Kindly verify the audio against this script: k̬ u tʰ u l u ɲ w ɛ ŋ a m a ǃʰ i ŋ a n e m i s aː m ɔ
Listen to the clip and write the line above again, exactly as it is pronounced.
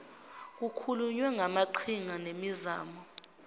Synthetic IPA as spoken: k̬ u kʰ u l u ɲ w ɛ ŋ a m a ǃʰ i ŋ a n e m i z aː m ɔ